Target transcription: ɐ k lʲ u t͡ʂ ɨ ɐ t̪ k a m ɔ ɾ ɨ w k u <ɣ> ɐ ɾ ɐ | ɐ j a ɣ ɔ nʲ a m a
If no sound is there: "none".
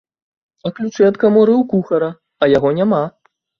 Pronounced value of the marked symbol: x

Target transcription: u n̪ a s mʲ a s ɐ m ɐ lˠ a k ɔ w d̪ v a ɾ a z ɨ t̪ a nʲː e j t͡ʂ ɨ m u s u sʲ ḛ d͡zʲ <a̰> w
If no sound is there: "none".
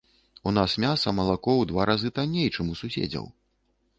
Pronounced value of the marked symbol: ɐ̰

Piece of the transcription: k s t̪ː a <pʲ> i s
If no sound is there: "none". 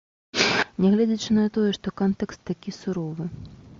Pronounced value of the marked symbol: kʲ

